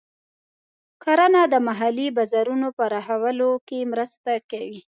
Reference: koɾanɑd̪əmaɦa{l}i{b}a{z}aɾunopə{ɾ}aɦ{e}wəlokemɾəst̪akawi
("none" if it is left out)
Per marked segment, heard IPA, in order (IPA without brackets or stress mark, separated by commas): l, b, z, ɾ, a